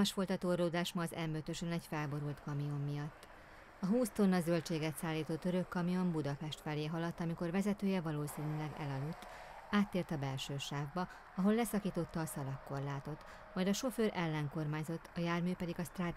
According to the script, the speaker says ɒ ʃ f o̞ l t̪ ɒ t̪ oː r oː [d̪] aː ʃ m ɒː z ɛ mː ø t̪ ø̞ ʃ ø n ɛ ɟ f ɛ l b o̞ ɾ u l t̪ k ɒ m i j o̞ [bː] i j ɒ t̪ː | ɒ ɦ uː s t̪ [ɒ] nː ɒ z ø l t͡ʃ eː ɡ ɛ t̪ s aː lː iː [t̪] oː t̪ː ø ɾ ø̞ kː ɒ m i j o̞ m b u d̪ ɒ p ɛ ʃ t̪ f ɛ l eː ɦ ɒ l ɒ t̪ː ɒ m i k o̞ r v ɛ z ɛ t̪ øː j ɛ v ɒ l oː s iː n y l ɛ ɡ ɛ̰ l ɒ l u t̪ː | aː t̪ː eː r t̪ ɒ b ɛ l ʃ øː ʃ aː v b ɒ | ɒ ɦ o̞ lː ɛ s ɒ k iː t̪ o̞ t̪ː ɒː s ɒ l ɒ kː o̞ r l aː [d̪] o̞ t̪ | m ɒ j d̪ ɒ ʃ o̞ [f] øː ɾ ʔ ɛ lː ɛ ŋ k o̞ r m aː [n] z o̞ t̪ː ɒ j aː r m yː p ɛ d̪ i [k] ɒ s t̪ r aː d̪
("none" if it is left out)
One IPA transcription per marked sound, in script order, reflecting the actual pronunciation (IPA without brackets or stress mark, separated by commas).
d̪, mː, o, t̪, t̪, f, ɲ, ɡ